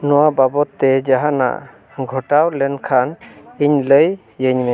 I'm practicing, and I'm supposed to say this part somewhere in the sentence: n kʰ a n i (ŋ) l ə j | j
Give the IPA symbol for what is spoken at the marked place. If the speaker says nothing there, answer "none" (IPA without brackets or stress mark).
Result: ɲ